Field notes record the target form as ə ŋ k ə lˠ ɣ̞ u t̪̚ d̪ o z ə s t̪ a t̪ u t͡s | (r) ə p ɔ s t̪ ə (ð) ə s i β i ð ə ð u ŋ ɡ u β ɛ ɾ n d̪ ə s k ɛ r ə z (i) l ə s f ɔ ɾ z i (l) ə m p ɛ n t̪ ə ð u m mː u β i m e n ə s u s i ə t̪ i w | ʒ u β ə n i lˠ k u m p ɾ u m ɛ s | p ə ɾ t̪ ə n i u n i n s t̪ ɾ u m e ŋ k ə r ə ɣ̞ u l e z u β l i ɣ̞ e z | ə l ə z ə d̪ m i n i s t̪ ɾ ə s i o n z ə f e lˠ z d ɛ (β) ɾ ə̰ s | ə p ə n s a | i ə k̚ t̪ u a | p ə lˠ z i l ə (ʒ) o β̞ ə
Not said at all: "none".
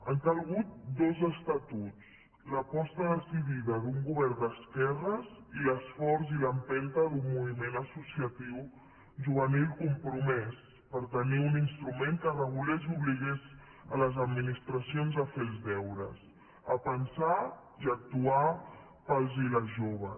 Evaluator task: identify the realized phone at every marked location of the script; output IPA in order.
l, ð, i, l, w, ʒ

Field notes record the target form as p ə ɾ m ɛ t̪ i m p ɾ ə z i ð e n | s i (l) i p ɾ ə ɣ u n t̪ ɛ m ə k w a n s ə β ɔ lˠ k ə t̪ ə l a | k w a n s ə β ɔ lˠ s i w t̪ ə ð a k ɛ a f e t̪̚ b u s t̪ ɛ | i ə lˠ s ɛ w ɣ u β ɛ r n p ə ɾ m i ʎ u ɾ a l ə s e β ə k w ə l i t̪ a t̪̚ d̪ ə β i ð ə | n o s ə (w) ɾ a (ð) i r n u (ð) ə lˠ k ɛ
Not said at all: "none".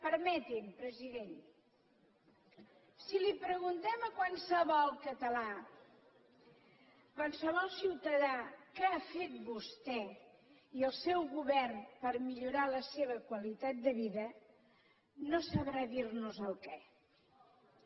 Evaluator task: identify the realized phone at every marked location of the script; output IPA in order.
l, β, ð, z

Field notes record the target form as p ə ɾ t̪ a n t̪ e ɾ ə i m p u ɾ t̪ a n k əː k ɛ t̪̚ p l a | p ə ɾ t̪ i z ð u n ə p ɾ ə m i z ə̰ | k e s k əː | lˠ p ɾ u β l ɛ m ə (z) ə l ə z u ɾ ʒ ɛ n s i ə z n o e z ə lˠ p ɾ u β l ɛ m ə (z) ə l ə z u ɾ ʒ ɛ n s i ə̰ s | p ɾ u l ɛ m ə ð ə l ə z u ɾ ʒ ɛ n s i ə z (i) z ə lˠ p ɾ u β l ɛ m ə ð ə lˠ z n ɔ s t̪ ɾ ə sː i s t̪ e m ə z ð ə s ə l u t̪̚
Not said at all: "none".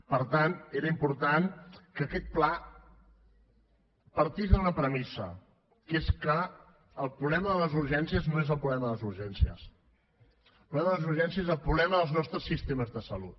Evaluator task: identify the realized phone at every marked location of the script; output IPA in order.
ð, ð, e

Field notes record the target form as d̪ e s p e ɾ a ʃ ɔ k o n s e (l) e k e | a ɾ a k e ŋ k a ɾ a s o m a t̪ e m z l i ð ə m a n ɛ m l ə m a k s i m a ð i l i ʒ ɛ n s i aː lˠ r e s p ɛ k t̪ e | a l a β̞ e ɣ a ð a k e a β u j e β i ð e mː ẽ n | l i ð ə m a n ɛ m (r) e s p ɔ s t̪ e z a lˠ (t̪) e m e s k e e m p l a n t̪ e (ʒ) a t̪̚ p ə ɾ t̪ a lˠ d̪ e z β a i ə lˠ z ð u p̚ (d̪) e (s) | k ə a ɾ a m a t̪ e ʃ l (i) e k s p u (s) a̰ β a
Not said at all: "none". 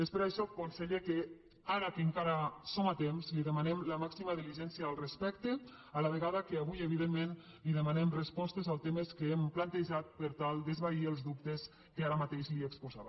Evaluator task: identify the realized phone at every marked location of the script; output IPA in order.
ʎ, r, t̪, ʒ, t̪, s, i, z

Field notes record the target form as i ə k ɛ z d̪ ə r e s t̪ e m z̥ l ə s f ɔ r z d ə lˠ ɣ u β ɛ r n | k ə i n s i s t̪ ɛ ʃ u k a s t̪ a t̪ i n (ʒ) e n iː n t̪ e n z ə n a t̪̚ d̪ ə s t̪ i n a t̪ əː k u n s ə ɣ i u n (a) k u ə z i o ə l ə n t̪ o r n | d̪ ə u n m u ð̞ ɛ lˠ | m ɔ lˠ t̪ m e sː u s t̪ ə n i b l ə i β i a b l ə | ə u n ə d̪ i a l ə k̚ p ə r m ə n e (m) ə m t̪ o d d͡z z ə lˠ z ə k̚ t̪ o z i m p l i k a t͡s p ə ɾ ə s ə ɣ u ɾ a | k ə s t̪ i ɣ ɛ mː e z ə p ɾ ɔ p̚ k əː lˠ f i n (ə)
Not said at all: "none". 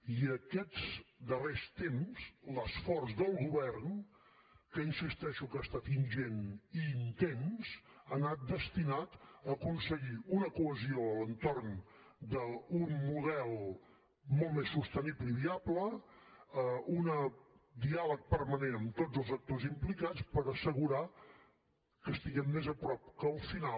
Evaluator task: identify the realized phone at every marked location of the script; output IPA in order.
ʒ, ə, n, a

